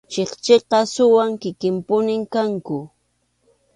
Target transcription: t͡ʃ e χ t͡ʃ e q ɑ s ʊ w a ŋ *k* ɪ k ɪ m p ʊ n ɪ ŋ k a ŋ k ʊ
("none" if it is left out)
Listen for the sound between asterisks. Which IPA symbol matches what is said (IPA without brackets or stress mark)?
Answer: k